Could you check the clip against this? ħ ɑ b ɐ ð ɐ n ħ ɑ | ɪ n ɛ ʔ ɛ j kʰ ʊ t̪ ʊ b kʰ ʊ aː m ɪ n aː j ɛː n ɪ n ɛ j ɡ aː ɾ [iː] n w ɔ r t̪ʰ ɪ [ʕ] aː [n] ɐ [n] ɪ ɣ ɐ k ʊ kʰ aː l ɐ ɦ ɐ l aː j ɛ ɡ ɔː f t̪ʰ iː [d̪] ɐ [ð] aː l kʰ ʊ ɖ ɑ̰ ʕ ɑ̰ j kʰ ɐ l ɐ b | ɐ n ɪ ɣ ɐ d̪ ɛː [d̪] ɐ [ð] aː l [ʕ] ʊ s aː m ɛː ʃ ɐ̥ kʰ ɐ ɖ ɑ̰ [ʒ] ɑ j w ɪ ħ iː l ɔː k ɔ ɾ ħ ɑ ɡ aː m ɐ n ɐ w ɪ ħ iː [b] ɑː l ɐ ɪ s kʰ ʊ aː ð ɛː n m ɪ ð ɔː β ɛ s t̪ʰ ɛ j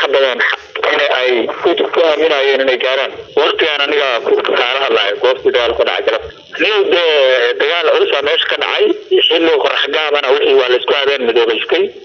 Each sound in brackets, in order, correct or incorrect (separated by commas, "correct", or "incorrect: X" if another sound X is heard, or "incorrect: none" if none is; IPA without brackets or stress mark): incorrect: aː, incorrect: ɣ, correct, correct, correct, incorrect: ɣ, correct, incorrect: ɣ, correct, incorrect: ʕ, incorrect: w